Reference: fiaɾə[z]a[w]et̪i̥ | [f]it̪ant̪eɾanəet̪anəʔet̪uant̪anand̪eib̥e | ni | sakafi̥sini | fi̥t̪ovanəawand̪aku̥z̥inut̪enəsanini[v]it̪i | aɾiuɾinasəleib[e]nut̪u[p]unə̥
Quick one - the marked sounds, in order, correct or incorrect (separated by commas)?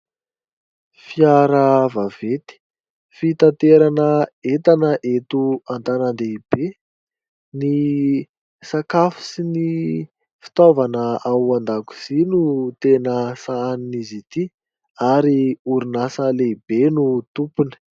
incorrect, incorrect, correct, incorrect, correct, correct